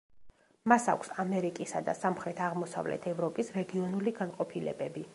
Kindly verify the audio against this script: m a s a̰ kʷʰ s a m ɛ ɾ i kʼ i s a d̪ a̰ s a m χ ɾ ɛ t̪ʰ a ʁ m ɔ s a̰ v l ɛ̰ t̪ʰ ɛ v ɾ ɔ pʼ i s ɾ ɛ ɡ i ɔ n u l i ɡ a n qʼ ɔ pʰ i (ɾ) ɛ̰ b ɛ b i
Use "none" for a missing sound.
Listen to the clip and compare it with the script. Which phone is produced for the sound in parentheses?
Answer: l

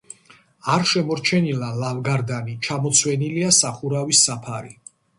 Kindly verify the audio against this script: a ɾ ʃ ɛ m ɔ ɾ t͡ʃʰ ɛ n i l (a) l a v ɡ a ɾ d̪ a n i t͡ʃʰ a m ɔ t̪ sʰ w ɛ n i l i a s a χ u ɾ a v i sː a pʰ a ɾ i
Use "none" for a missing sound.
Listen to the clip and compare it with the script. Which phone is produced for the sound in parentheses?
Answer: a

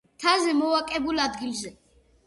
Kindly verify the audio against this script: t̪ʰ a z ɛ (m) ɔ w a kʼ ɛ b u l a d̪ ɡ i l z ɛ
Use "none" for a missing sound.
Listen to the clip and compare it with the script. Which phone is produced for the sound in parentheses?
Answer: m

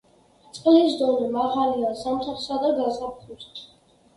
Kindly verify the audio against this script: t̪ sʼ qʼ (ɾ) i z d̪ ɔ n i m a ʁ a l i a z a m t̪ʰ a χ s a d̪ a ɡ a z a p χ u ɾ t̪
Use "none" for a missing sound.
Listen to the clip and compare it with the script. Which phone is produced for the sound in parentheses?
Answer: l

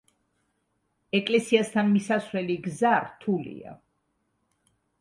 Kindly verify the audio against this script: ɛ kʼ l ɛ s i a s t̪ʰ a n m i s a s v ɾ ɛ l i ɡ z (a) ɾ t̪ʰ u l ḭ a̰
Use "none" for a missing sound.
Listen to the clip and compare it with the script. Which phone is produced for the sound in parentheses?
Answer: a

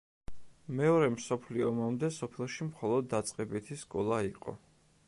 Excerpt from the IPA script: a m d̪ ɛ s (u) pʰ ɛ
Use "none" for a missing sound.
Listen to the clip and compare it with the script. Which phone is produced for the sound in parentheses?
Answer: ɔ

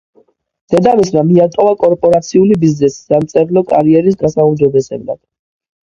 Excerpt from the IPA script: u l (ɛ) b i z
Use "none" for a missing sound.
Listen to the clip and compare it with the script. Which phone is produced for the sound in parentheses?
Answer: i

